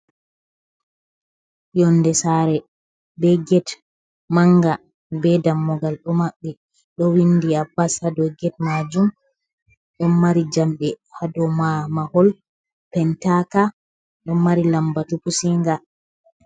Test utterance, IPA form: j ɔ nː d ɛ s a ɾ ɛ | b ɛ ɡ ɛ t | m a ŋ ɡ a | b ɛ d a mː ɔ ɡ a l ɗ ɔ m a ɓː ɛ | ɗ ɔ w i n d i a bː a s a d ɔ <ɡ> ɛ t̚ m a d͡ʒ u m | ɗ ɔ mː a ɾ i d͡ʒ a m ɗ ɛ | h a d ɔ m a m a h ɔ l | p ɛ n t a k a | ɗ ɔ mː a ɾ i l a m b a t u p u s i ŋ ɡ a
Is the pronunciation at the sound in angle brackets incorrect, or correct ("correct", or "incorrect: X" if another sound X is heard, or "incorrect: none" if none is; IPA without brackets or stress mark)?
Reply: correct